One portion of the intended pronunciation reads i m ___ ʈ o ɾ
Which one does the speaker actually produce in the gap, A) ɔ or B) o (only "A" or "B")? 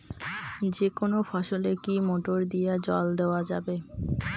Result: B